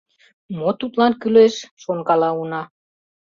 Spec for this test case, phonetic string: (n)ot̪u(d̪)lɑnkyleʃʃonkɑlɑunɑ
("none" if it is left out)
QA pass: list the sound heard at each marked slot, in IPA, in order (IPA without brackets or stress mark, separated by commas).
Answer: m, t̪